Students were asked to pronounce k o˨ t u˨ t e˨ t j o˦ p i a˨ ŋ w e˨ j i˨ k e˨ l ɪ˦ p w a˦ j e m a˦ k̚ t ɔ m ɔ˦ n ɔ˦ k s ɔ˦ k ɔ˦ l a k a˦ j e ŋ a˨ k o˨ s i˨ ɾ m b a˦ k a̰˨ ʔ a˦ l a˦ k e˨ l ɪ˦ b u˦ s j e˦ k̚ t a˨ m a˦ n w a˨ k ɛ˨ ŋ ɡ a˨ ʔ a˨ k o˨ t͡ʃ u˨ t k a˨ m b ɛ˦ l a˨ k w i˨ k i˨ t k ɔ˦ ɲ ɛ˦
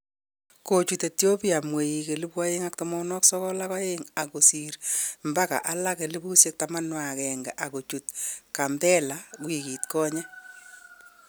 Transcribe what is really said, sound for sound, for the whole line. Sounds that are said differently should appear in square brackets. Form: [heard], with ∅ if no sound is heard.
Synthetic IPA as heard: k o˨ [t͡ʃ] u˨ t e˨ t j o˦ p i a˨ [m] w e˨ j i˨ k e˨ l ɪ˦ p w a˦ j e [ŋ] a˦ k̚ t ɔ m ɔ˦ n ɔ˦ k s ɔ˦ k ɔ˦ l a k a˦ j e ŋ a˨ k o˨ s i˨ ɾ m b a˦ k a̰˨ ʔ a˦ l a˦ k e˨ l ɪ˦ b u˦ s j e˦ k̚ t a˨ m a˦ n w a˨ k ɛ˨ ŋ ɡ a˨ ʔ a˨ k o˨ t͡ʃ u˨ t k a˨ m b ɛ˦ l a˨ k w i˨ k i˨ t k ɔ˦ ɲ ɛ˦